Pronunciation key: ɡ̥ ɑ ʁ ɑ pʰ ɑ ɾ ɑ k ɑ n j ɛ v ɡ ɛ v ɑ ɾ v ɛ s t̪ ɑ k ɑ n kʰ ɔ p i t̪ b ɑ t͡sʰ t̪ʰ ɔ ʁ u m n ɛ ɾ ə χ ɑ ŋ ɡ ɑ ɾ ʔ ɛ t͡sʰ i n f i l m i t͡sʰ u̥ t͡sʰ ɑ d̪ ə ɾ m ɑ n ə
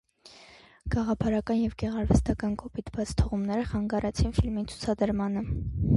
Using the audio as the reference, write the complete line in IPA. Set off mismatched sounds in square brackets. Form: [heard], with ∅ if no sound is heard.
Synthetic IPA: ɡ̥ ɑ ʁ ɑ pʰ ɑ ɾ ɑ k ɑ n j ɛ v ɡ ɛ [ʁ] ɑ ɾ v ɛ s t̪ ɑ k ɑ n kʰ ɔ p i t̪ b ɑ t͡sʰ t̪ʰ ɔ ʁ u m n ɛ ɾ ə χ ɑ ŋ ɡ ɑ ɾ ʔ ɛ t͡sʰ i n f i l m i t͡sʰ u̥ t͡sʰ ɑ d̪ ə ɾ m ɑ n ə